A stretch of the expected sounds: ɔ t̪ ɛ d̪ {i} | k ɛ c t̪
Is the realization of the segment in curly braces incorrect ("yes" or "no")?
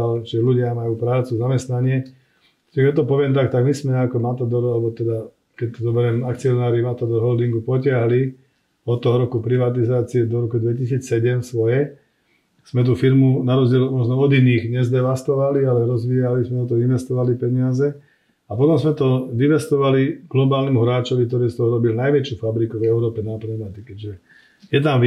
yes